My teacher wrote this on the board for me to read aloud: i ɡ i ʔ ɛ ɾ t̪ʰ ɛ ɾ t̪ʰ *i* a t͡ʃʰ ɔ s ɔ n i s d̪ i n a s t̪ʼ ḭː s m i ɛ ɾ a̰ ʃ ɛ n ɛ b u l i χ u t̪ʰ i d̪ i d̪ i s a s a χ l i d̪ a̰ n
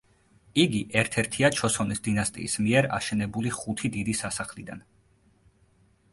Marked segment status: correct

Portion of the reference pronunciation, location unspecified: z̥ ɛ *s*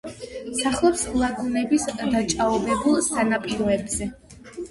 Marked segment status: incorrect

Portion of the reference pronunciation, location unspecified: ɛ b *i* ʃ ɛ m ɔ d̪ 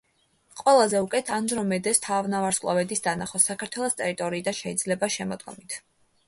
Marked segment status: incorrect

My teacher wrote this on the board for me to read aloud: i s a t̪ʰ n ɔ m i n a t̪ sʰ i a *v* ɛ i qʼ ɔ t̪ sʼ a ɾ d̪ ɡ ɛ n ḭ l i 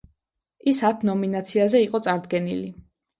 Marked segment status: incorrect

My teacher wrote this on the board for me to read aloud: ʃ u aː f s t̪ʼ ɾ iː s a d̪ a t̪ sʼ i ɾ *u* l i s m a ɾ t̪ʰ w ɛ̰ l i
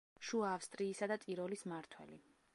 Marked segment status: incorrect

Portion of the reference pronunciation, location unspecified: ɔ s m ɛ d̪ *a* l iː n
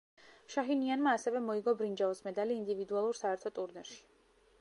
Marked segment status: correct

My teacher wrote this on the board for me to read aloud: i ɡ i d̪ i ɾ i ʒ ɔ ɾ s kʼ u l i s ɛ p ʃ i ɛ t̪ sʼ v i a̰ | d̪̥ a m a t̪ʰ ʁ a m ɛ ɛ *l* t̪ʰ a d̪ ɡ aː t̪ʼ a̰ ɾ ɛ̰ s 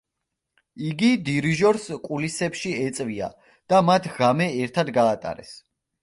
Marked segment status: incorrect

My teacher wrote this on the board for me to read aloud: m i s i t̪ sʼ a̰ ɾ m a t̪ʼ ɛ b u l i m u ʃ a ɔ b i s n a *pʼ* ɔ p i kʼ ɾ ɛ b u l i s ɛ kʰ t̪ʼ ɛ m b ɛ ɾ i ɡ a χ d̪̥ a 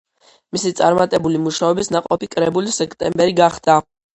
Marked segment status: incorrect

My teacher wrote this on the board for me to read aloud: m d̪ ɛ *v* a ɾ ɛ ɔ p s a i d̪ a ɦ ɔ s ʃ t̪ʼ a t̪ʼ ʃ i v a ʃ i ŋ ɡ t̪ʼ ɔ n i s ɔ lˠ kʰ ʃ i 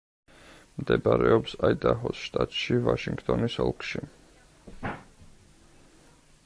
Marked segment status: incorrect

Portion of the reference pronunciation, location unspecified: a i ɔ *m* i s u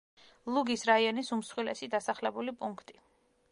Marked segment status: incorrect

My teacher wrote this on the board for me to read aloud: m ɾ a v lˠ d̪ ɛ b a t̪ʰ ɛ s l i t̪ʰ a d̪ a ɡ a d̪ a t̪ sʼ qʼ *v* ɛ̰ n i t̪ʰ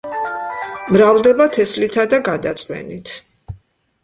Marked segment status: incorrect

